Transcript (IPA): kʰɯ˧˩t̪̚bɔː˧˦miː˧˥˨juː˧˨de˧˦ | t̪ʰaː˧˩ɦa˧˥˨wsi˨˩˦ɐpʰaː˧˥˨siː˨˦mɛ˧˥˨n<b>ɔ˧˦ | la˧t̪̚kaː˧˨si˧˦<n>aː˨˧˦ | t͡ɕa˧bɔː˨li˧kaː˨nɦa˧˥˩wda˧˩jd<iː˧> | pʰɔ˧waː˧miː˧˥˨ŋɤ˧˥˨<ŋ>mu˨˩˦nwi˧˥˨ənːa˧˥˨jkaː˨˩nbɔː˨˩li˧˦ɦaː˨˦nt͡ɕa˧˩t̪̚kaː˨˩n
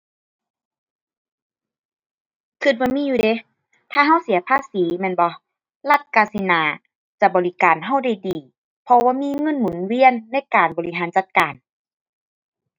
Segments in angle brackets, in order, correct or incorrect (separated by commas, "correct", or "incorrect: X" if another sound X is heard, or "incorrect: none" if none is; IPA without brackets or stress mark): correct, correct, incorrect: iː˨˩, incorrect: n